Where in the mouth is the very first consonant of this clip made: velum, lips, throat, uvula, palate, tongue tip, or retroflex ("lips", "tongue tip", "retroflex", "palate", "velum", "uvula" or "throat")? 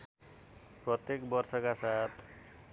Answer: lips